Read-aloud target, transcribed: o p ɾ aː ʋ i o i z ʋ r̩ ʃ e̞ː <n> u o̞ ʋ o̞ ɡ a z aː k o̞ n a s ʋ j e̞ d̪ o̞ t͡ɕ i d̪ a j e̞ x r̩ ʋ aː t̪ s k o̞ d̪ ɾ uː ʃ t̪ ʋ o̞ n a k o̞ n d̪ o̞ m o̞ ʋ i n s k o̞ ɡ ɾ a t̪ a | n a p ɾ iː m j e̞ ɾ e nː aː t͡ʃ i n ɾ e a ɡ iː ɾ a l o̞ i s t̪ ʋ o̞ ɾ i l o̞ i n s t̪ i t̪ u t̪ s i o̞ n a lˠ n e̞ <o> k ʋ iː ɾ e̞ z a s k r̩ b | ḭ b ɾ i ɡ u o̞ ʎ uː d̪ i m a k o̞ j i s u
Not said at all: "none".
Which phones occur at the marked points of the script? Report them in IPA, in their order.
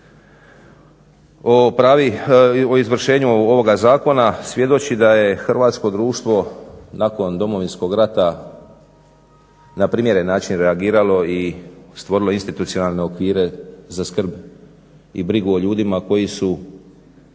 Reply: ɲ, o

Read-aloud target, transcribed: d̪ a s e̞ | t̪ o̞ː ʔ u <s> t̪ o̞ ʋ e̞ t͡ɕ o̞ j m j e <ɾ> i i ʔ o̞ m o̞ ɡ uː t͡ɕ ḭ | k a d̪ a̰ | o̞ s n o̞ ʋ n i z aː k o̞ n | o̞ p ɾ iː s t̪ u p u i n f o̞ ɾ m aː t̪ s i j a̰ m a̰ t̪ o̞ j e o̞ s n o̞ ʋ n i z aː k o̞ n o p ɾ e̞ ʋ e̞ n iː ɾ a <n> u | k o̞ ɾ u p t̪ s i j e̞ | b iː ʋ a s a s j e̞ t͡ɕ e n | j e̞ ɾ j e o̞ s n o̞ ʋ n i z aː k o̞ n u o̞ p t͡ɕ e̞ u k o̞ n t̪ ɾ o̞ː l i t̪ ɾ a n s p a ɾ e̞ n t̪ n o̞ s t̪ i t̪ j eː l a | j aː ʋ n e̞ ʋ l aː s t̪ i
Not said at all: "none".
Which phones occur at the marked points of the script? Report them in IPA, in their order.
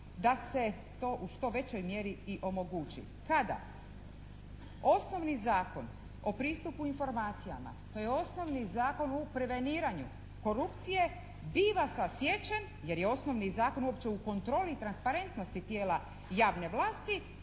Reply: ʃ, ɾ, ɲ

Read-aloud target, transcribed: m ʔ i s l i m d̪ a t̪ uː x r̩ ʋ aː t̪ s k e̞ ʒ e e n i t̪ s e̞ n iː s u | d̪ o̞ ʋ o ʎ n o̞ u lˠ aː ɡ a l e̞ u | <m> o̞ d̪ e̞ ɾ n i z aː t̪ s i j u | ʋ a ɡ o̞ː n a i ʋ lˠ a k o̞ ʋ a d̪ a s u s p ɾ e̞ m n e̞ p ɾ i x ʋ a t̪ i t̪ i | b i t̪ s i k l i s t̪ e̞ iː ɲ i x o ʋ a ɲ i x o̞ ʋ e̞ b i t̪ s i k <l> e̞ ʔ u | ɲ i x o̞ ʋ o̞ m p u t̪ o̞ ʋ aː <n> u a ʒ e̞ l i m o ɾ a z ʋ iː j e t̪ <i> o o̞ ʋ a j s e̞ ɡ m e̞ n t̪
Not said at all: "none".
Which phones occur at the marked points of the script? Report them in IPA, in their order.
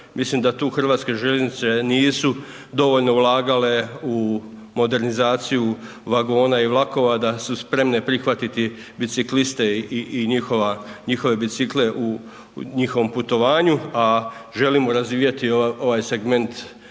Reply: m, l, ɲ, i

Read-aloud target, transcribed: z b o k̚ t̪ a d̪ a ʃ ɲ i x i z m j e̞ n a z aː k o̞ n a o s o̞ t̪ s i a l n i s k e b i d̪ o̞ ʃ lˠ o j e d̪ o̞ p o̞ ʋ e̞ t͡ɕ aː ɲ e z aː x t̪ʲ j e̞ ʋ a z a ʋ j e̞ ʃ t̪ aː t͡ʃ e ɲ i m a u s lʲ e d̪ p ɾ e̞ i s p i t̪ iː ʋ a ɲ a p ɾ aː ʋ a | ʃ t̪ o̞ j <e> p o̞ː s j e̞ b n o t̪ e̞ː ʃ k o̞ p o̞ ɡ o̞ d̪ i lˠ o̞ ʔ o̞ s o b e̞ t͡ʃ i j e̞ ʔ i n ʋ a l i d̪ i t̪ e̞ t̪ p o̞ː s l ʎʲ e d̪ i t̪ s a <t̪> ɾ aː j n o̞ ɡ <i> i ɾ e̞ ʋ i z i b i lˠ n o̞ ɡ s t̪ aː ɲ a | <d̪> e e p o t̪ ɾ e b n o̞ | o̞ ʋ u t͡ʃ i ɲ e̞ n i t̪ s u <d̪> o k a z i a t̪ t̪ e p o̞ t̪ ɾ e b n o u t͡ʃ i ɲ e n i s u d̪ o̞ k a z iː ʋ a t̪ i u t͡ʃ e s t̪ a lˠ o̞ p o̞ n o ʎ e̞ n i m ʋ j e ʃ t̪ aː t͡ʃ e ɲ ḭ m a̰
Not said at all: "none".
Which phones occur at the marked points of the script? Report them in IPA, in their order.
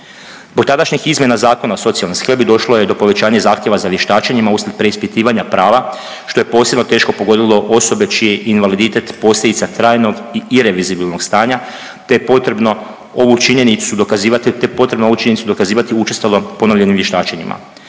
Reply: e, t̪, i, t̪, d̪

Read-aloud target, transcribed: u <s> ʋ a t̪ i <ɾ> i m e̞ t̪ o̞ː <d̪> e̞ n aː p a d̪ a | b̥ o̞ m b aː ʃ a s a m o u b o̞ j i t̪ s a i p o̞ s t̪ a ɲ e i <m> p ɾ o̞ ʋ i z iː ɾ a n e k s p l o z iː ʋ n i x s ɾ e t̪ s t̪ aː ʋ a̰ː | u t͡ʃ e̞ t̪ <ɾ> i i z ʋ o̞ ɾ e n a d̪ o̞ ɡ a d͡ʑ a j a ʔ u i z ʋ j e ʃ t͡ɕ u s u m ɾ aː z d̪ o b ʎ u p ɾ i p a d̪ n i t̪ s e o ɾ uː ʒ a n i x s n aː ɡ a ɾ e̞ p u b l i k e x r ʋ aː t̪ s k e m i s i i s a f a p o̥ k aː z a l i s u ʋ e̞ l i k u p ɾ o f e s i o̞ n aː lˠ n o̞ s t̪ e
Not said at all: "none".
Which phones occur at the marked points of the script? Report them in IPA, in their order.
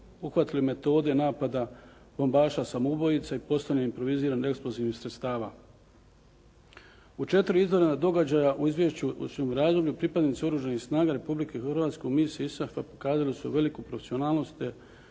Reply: x, l, d̪, m, ɾ

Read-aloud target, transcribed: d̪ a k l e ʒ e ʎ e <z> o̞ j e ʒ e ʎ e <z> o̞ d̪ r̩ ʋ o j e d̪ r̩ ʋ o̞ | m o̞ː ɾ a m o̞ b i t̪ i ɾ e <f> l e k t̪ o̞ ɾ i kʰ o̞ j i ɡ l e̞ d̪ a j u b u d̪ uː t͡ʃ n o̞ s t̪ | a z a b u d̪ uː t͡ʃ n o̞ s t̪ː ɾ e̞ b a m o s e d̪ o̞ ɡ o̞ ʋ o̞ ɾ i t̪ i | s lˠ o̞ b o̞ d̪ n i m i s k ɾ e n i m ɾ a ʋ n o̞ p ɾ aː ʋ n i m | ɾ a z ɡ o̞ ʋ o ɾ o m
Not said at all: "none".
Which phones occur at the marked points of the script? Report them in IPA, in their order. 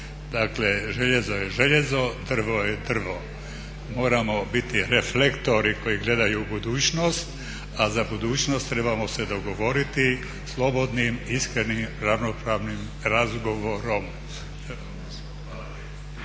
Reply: z, z, f

